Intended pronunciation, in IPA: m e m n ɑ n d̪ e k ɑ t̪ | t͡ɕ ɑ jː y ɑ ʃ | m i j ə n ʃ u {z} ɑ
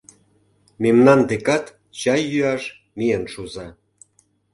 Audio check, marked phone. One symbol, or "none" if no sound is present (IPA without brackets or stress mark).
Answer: z